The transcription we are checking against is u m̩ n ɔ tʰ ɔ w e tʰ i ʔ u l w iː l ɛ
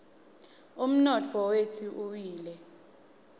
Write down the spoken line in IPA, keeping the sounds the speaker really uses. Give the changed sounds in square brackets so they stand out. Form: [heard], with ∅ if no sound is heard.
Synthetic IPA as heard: u m̩ n ɔ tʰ ɔ w e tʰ i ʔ u [∅] w iː l ɛ